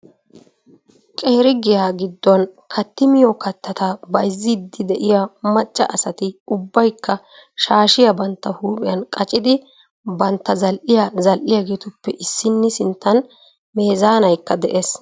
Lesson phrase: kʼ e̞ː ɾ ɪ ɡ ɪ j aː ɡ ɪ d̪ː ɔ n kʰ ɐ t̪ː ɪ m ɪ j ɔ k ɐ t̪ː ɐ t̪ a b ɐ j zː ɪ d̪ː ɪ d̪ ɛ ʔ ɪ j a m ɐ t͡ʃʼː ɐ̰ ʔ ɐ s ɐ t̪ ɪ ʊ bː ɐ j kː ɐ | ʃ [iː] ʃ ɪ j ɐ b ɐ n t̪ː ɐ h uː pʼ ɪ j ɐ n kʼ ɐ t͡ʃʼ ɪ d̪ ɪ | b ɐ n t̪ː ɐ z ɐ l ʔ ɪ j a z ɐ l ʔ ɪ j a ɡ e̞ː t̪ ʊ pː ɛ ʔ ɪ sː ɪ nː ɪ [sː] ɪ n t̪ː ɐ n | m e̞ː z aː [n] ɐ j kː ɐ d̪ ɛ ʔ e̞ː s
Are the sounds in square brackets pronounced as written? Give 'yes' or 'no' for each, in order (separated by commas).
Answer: no, no, yes